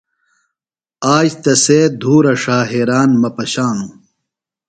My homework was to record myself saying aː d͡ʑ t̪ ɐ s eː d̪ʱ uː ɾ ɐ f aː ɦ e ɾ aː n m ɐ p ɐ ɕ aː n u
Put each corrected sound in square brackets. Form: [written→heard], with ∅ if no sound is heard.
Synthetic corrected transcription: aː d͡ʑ t̪ ɐ s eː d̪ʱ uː ɾ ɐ [f→ʂ] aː ɦ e ɾ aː n m ɐ p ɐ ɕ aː n u